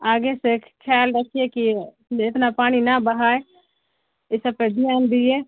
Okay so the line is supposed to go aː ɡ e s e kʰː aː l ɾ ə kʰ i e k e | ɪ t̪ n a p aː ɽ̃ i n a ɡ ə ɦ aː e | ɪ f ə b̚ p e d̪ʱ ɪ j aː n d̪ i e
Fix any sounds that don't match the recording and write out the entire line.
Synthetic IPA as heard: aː ɡ e s e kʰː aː l ɾ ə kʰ i e k i | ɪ t̪ n a p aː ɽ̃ i n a b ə ɦ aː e | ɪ s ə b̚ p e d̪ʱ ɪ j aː n d̪ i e